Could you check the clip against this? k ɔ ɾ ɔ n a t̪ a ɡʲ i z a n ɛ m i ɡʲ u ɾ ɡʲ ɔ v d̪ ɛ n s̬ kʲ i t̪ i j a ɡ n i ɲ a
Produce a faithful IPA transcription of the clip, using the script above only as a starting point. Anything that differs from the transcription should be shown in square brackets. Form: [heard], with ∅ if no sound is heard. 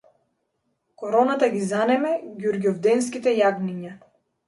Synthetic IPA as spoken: k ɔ ɾ ɔ n a t̪ a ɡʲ i z a n ɛ m [ɛ] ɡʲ u ɾ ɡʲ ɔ v d̪ ɛ n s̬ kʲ i t̪ [ɛ] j a ɡ n i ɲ a

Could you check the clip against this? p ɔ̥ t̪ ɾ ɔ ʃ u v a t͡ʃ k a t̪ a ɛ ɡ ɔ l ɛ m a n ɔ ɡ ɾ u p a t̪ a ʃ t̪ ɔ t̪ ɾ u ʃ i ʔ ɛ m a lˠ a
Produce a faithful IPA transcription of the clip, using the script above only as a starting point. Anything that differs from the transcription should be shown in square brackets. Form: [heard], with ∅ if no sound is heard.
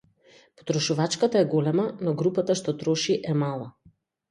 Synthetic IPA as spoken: p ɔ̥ t̪ ɾ ɔ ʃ u v a t͡ʃ k a t̪ a ɛ ɡ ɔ l ɛ m a n ɔ ɡ ɾ u p a t̪ a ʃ t̪ ɔ t̪ ɾ [ɔ] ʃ i ʔ ɛ m a lˠ a

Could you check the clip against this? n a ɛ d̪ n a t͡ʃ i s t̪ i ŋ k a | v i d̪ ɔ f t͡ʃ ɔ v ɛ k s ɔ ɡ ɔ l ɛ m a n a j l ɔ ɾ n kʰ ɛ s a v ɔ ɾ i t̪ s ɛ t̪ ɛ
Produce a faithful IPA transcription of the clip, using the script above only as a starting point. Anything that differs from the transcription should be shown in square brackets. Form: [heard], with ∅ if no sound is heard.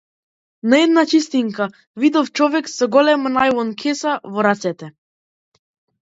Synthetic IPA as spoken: n a ɛ d̪ n a t͡ʃ i s t̪ i ŋ k a | v i d̪ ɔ f t͡ʃ ɔ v ɛ k s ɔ ɡ ɔ l ɛ m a n a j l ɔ [∅] n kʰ ɛ s a v ɔ ɾ [a] t̪ s ɛ t̪ ɛ

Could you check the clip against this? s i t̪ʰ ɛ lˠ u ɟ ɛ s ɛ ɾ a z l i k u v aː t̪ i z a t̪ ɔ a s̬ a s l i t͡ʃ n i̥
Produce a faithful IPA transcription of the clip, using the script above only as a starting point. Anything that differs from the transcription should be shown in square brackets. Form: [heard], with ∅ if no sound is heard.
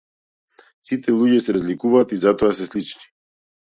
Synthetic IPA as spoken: s i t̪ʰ ɛ lˠ u ɟ ɛ s ɛ ɾ a z l i k u v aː t̪ i z a t̪ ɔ a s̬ [ɛ] s l i t͡ʃ n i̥

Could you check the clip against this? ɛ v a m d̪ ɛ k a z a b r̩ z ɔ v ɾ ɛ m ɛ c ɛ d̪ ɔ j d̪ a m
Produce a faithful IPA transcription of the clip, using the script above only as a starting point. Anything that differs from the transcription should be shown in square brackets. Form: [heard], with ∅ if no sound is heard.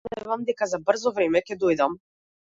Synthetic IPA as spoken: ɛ v a m d̪ ɛ k a z a b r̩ z ɔ v ɾ ɛ m ɛ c ɛ d̪ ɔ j d̪ a m

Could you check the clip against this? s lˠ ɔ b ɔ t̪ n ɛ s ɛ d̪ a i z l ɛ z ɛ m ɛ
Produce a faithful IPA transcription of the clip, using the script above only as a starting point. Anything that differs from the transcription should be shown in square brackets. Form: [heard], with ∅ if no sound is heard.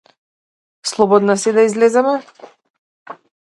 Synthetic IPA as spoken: s lˠ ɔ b ɔ [d̪] n [a] s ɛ d̪ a i z l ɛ z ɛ m ɛ

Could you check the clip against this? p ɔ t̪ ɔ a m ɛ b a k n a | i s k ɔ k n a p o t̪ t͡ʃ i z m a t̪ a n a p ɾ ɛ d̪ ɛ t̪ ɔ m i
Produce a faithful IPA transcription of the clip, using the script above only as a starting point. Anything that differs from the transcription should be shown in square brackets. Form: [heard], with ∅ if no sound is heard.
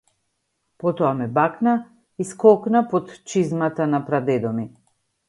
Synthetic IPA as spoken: p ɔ t̪ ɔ a m ɛ b a k n a | i s k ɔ k n a p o t̪ t͡ʃ i z m a t̪ a n a p ɾ [a] d̪ ɛ [d̪] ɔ m i

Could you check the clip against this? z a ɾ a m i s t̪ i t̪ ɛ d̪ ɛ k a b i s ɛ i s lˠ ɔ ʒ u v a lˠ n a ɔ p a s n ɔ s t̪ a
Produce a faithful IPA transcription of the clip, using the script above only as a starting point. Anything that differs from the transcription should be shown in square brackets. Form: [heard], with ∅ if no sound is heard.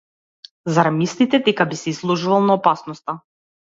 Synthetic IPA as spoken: z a ɾ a m i s t̪ i t̪ ɛ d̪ ɛ k a b i s ɛ i s lˠ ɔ ʒ u v a lˠ n a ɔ p a s n ɔ s t̪ a

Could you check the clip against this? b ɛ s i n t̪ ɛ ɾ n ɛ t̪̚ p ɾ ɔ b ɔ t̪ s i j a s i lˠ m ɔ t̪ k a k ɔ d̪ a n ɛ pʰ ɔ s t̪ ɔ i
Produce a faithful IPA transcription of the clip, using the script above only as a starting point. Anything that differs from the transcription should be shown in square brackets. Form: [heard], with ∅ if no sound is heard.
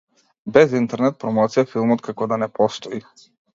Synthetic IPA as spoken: b ɛ [z] i n t̪ ɛ ɾ n ɛ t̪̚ p ɾ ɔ [m] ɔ t̪ s i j a [f] i lˠ m ɔ t̪ k a k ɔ d̪ a n ɛ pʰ ɔ s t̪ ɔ i

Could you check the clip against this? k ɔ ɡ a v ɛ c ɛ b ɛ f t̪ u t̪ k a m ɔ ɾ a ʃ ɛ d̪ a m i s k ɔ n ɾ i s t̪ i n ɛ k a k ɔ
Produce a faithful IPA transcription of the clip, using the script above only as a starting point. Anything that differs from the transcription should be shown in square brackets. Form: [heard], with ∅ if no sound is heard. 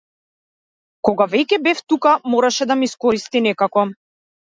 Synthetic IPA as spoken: k ɔ ɡ a v ɛ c ɛ b ɛ f t̪ u [∅] k a m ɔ ɾ a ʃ ɛ d̪ a m i s k ɔ [∅] ɾ i s t̪ i n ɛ k a k ɔ

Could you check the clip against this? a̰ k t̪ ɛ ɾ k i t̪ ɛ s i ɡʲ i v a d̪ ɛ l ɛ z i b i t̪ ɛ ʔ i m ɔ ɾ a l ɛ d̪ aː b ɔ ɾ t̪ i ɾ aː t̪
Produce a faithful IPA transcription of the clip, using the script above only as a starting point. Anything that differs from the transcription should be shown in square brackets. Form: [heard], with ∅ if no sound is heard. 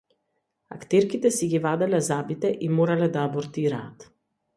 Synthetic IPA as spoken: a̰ k t̪ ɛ ɾ k i t̪ ɛ s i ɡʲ i v a d̪ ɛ l ɛ z [a] b i t̪ ɛ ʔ i m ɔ ɾ a l ɛ d̪ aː b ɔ ɾ t̪ i ɾ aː t̪

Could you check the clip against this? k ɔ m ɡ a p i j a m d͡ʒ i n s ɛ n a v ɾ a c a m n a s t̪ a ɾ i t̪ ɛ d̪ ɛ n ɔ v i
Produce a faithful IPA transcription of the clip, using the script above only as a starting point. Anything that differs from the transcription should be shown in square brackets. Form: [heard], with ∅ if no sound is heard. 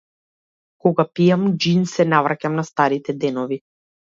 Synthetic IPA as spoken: k ɔ [∅] ɡ a p i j a m d͡ʒ i n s ɛ n a v ɾ a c a m n a s t̪ a ɾ i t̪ ɛ d̪ ɛ n ɔ v i

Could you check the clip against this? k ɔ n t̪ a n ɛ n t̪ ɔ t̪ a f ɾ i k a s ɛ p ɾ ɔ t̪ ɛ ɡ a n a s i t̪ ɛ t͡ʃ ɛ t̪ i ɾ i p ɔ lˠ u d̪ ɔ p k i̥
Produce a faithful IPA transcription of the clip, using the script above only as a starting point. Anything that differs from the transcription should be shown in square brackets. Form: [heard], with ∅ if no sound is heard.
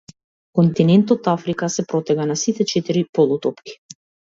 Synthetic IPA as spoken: k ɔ n t̪ [i] n ɛ n t̪ ɔ t̪ a f ɾ i k a s ɛ p ɾ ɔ t̪ ɛ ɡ a n a s i t̪ ɛ t͡ʃ ɛ t̪ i ɾ i p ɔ lˠ u [t̪] ɔ p k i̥

